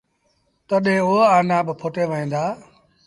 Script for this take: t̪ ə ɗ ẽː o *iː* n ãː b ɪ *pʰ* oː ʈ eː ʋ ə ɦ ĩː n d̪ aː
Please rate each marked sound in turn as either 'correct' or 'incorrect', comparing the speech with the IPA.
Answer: incorrect, correct

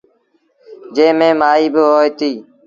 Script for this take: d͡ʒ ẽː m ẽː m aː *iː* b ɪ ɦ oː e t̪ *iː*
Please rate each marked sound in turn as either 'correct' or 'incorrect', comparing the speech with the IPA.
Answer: correct, correct

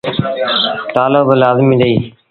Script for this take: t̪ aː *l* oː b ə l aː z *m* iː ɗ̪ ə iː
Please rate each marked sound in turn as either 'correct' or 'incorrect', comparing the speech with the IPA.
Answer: correct, correct

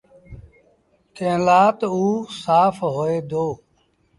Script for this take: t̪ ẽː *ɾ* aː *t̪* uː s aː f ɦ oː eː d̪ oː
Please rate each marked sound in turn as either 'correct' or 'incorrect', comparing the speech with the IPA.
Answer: incorrect, correct

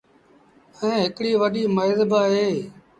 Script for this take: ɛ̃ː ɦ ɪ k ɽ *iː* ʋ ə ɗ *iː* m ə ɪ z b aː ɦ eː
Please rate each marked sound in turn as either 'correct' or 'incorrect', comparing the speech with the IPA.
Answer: correct, correct

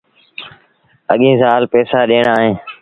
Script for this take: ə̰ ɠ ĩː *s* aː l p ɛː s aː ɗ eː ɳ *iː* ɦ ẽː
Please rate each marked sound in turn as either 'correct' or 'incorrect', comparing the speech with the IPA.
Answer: incorrect, incorrect

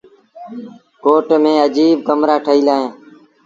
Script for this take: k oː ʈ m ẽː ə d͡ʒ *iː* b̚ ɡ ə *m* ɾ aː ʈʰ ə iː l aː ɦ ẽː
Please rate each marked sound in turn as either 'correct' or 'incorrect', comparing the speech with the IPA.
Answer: correct, correct

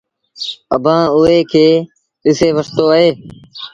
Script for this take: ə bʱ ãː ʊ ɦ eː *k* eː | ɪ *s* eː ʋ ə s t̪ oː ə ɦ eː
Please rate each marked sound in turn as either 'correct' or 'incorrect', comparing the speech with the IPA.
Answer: incorrect, correct

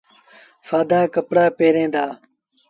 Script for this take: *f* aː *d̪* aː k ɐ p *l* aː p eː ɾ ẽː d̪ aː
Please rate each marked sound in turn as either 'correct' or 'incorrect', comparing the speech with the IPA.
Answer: correct, correct, incorrect

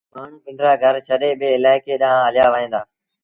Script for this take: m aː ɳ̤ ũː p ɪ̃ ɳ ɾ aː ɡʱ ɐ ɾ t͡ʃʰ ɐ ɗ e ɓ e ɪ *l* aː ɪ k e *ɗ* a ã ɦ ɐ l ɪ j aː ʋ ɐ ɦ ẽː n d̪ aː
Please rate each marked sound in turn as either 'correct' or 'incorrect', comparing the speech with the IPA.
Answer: correct, correct

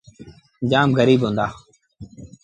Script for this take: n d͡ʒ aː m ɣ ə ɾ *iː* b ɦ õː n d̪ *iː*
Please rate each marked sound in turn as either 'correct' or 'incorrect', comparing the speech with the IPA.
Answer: correct, incorrect

